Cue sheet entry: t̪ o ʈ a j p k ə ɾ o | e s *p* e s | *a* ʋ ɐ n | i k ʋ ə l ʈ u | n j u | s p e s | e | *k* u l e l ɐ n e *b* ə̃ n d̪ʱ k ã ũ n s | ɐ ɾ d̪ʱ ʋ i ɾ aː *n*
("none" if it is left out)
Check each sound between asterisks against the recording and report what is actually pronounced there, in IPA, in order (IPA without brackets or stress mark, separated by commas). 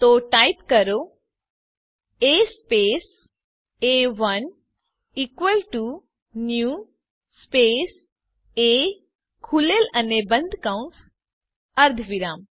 p, e, kʰ, b, m